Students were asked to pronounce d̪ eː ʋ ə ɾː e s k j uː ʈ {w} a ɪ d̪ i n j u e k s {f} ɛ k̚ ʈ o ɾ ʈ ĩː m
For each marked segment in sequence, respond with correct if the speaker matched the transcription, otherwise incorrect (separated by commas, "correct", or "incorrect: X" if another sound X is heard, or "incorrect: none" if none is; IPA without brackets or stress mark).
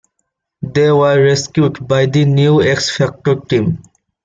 incorrect: b, correct